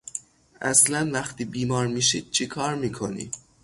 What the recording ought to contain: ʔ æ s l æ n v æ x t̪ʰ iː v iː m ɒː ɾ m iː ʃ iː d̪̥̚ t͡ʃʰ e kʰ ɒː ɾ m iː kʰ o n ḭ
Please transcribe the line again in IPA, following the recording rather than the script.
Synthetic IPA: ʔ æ s l æ n v æ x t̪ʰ iː b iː m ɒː ɾ m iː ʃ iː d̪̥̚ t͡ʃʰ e kʰ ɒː ɾ m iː kʰ o n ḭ